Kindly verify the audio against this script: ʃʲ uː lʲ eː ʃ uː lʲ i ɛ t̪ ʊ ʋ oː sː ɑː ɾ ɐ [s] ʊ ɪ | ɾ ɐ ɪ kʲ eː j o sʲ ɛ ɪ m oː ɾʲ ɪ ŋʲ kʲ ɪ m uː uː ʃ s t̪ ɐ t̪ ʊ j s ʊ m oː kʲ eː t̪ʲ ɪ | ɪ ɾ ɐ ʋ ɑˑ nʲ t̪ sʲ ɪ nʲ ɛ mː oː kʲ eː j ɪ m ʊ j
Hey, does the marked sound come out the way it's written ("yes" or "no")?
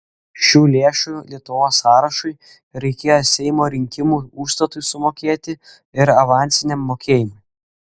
no